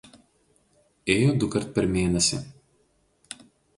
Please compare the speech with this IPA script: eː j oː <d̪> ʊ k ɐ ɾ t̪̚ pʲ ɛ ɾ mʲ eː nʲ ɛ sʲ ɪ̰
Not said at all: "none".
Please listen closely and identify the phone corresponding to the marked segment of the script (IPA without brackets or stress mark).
d̪